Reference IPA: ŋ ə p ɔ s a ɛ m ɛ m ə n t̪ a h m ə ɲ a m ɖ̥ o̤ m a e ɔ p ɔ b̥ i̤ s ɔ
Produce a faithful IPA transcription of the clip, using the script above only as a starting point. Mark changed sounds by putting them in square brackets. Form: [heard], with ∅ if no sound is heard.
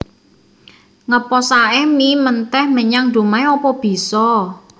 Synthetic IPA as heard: ŋ ə p ɔ s a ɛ m [i] m ə n t̪ [ɛ] h m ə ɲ a [ŋ] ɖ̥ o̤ m a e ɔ p ɔ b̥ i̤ s ɔ